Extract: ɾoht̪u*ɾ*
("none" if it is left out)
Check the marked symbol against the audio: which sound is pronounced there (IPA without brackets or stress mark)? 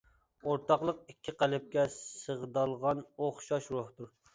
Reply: ɾ